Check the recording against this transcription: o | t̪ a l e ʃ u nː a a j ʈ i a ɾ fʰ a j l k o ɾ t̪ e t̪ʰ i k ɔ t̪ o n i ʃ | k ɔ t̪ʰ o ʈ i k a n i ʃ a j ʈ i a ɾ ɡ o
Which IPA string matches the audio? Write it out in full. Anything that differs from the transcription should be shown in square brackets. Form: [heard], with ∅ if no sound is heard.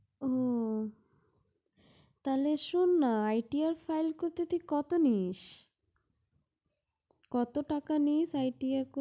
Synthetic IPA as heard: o | t̪ a l e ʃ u nː a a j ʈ i a ɾ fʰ a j l k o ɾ t̪ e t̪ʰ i k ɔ t̪ o n i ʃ | k ɔ [t̪] o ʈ [a] k a n i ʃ a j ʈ i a ɾ [k] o